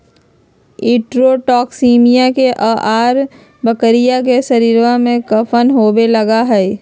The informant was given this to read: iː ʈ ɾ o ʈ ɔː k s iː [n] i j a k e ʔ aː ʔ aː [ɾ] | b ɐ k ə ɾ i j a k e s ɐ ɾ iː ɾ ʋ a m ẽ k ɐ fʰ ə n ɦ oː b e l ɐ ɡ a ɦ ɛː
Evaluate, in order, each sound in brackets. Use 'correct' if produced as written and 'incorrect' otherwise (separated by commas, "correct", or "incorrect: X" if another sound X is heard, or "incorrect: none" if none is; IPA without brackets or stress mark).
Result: incorrect: m, correct